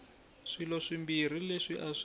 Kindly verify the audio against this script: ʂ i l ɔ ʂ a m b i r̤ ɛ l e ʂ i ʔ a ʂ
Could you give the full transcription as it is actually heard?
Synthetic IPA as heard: ʂ i l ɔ ʂ i m b i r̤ i l e ʂ i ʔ a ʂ